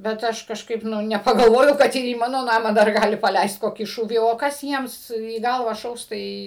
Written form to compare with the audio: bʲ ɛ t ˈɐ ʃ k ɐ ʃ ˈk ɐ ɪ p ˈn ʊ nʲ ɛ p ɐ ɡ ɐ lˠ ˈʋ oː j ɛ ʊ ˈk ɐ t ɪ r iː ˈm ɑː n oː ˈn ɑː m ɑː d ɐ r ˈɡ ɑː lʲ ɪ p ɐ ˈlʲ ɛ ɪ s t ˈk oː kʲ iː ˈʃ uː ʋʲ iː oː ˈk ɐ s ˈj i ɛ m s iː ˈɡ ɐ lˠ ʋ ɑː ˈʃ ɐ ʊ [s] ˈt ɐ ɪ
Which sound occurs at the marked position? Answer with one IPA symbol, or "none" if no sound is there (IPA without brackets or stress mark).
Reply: s